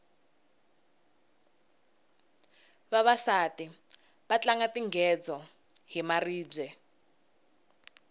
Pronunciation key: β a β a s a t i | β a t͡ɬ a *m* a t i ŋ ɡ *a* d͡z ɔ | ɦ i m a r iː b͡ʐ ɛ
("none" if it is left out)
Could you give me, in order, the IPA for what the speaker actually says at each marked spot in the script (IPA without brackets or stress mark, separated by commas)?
ŋ, ɛ